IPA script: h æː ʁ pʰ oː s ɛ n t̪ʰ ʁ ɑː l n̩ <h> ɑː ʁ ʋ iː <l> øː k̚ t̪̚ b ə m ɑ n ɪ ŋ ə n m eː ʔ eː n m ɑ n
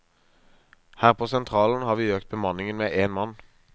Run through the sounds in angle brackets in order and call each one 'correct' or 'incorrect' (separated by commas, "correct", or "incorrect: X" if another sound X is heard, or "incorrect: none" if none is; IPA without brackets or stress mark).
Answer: correct, incorrect: none